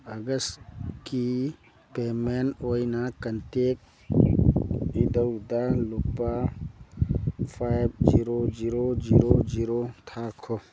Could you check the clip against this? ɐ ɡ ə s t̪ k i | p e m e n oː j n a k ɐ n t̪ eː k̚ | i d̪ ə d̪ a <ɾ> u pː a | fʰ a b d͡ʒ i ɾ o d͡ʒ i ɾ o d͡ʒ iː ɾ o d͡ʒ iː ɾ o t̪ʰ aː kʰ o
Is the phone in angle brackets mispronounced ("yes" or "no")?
yes